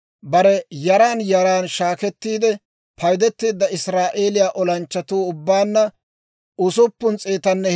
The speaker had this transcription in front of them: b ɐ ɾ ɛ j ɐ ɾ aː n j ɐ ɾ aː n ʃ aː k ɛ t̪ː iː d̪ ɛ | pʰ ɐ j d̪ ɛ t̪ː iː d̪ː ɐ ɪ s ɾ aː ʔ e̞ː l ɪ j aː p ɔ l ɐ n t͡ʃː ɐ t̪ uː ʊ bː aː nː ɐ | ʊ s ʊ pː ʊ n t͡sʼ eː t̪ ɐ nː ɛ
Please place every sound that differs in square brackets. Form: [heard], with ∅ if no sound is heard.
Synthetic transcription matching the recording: b ɐ ɾ ɛ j ɐ ɾ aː n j ɐ ɾ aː n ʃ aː k ɛ t̪ː iː d̪ ɛ | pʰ ɐ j d̪ ɛ t̪ː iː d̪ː ɐ ɪ s ɾ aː ʔ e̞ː l ɪ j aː [ʔ] ɔ l ɐ n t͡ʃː ɐ t̪ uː ʊ bː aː nː ɐ | ʊ s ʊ pː ʊ n t͡sʼ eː t̪ ɐ nː ɛ